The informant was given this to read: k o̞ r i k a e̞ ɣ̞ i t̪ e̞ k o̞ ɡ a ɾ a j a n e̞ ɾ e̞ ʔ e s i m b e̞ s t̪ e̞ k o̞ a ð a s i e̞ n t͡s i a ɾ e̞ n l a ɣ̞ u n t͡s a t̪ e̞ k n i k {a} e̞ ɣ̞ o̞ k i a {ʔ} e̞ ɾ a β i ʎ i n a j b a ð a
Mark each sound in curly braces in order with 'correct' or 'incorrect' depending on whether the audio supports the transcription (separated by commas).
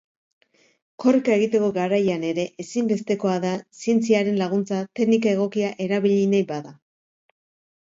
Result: correct, correct